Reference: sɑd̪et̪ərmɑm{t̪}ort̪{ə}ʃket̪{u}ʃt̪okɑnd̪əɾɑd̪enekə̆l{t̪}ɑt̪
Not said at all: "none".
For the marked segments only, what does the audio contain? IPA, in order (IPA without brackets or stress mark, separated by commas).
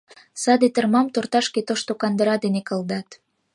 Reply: t̪, ɑ, o, d̪